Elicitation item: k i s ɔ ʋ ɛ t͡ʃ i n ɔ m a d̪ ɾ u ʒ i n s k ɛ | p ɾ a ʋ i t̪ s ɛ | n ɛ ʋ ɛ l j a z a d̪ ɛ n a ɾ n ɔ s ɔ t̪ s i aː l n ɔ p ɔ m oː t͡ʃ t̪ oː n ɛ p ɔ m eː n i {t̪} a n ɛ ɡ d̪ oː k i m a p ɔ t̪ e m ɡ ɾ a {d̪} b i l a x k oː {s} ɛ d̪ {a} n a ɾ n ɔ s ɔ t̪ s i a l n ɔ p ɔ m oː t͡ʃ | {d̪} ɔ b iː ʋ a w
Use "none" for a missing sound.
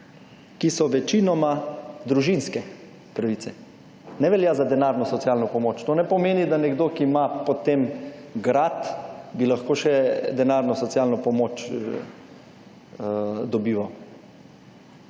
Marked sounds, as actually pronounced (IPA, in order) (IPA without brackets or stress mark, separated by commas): d̪, t̪, ʃ, ɛ, d̪